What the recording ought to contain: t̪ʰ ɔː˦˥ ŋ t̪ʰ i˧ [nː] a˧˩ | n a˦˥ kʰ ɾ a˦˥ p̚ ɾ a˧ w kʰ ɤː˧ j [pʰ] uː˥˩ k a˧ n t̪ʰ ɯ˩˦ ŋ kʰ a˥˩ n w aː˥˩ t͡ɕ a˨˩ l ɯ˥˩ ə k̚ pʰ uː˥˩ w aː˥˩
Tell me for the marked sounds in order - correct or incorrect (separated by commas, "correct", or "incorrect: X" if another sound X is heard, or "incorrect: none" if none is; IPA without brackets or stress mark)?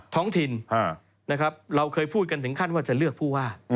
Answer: incorrect: n, correct